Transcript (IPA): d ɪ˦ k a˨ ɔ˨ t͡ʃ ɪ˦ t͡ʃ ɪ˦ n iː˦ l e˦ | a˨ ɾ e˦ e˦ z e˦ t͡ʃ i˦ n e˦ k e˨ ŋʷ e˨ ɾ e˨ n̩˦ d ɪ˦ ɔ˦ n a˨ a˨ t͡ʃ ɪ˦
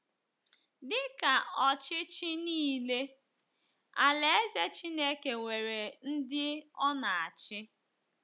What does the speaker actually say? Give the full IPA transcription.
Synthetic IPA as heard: d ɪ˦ k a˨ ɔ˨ t͡ʃ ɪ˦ t͡ʃ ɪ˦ n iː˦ l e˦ | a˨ l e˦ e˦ z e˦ t͡ʃ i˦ n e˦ k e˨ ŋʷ e˨ ɾ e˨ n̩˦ d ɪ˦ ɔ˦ n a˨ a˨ t͡ʃ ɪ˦

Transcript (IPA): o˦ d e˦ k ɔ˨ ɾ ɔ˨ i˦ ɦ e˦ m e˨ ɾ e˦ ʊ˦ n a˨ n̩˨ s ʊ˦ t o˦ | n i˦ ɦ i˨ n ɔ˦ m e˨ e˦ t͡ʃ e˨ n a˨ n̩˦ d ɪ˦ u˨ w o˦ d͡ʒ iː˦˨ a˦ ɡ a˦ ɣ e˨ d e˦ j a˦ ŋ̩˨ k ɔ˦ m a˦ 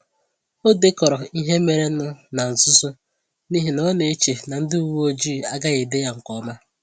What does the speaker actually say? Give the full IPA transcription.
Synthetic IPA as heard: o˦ d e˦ k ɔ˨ ɾ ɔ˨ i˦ ɦ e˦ m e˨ ɾ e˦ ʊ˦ n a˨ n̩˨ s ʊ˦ s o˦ | n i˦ ɦ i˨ n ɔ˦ n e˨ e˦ t͡ʃ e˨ n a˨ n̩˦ d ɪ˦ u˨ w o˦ d͡ʒ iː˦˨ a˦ ɡ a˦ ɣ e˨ d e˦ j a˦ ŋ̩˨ k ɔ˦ m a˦

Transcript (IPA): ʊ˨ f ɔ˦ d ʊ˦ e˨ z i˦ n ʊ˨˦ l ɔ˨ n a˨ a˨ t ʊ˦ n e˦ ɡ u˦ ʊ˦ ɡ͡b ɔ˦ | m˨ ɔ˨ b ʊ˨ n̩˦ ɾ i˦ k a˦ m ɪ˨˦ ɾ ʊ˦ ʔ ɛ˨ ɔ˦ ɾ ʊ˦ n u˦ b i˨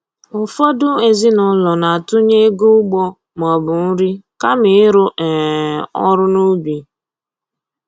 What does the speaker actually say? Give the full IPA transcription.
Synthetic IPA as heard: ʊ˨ f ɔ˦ d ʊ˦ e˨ z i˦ n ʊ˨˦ l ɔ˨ n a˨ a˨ t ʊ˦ ɲ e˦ ɡ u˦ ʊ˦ ɡ͡b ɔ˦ | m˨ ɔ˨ b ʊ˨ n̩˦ ɾ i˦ k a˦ m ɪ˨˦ ɾ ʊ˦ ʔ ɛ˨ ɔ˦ ɾ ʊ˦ n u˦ b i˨

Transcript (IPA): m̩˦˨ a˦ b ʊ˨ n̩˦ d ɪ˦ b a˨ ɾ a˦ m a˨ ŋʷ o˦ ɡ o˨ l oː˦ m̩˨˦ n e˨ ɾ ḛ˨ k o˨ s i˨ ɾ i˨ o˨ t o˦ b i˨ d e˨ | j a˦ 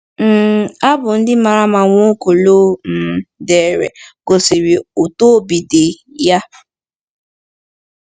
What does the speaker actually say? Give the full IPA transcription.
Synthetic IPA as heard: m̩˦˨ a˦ b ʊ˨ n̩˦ d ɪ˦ m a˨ ɾ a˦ m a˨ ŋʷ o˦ k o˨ l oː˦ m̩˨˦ d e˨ ɾ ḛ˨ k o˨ s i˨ ɾ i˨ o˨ t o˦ b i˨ d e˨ | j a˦

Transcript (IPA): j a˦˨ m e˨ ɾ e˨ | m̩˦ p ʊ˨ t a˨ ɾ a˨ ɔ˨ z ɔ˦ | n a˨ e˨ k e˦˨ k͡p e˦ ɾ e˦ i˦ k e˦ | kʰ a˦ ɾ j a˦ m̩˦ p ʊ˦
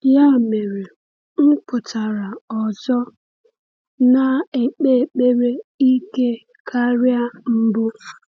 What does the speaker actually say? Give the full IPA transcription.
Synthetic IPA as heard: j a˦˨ m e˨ ɾ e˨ | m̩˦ p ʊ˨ t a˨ ɾ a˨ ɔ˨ z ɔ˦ | n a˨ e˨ k͡p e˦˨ k͡p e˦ ɾ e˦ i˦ k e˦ | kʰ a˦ ɾ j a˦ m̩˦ b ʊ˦

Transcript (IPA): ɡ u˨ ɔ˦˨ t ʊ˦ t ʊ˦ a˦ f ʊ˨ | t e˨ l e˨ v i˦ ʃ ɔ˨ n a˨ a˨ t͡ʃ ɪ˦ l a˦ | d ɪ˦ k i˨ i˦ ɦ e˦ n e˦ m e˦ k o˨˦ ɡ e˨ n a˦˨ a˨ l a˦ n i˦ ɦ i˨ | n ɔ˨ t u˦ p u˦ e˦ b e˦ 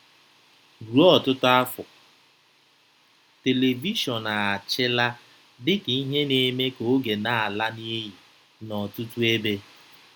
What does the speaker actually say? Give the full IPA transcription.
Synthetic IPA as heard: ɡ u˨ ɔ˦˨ t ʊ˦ t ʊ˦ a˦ f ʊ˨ | t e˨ l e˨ v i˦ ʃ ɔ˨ n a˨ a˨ t͡ʃ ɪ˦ l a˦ | d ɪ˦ k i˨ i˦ ɦ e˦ n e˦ m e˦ k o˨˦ ɡ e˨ n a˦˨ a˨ l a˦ n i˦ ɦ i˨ | n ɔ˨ t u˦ t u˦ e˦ b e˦

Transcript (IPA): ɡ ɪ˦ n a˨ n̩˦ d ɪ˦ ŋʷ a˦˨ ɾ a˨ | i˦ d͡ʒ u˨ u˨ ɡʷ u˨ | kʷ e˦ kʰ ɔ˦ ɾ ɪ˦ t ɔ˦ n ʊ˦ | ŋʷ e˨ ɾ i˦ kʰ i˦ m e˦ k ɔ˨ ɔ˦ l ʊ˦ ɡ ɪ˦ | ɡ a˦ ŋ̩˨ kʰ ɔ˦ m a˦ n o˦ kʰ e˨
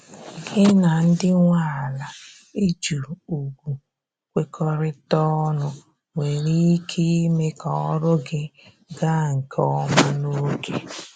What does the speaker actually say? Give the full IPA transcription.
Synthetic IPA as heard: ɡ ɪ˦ n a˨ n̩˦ d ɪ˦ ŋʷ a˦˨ l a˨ | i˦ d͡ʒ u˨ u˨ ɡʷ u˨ | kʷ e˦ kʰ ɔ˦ ɾ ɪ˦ t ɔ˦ n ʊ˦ | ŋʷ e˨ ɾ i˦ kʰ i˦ m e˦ k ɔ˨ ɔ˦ ɾ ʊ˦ ɡ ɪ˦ | ɡ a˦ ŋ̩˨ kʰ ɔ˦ m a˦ n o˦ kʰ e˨

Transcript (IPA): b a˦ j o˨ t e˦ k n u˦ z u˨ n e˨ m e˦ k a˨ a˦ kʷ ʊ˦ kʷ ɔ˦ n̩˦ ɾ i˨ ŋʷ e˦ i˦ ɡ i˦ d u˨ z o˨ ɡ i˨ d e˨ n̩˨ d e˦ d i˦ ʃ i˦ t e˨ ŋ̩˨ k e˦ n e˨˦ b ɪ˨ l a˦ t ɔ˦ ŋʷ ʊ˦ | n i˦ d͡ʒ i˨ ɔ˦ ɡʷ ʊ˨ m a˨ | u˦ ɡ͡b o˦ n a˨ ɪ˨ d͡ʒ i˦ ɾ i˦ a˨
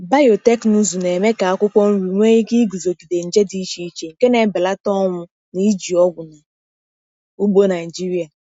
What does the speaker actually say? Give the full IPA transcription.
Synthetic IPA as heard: b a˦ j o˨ t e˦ k n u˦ z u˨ n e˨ m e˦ k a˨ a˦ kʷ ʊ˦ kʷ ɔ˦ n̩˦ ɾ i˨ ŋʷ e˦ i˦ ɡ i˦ ɡ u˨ z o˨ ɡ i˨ d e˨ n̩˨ d͡ʒ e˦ d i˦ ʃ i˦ t͡ʃ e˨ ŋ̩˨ k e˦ n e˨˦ b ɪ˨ l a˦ t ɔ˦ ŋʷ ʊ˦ | n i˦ d͡ʒ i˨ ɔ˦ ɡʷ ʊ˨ n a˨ | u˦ ɡ͡b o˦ n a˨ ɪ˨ d͡ʒ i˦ ɾ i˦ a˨

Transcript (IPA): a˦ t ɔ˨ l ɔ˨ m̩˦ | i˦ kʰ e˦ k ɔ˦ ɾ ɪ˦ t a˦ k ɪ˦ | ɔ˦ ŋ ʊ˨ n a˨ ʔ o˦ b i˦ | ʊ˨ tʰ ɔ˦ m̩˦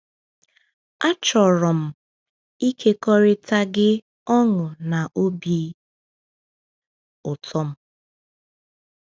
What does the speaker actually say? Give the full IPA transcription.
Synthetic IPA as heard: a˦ t͡ʃ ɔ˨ ɾ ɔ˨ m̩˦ | i˦ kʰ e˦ k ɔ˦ ɾ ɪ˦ t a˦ ɡ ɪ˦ | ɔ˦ ŋ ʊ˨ n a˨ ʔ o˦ b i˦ | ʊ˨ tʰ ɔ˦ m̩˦

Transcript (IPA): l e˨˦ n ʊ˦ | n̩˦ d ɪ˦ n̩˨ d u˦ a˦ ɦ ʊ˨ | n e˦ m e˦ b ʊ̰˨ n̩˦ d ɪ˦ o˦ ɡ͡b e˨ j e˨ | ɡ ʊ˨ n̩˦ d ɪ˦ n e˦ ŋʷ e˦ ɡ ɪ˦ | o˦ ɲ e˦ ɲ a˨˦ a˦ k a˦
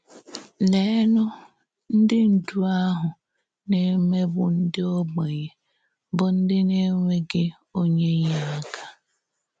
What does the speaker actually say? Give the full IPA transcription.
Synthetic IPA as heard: l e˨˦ n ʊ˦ | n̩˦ d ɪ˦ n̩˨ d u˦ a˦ ɦ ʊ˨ | n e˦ m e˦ b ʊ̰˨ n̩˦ d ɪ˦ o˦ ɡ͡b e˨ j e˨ | b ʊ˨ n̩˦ d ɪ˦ n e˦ ŋʷ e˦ ɡ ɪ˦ | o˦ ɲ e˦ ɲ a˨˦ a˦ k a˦

